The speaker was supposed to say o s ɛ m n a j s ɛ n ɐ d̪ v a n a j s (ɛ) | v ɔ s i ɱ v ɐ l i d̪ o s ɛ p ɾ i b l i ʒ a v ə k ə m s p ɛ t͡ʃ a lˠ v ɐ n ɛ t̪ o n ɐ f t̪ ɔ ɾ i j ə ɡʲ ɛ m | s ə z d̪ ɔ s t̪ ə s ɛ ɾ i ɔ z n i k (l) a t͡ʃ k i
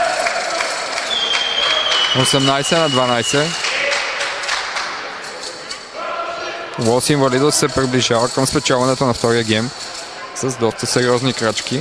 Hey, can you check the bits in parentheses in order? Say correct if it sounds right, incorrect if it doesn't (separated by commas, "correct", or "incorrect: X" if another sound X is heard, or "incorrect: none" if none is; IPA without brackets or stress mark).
correct, incorrect: ɾ